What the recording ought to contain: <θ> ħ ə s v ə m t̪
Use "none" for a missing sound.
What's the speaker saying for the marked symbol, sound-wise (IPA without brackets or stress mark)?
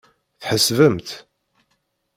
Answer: θ